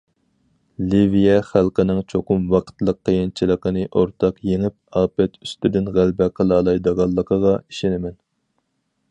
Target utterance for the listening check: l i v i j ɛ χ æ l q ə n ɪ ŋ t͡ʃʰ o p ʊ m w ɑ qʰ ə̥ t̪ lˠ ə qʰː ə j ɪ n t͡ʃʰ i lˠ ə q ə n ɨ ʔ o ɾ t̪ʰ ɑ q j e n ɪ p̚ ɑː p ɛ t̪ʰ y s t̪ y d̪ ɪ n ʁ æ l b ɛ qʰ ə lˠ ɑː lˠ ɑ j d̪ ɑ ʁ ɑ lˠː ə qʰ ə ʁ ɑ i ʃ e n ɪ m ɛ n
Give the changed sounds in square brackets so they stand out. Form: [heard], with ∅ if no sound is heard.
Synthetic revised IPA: l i v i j ɛ χ æ l q ə n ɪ ŋ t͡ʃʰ o [q] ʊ m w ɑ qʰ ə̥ t̪ lˠ ə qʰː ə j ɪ n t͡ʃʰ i lˠ ə q ə n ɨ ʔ o ɾ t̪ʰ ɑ q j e [ŋ] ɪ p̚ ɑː p ɛ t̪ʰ y s t̪ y d̪ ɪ n ʁ æ l b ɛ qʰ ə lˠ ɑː lˠ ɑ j d̪ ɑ ʁ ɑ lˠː ə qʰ ə ʁ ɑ i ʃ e n ɪ m ɛ n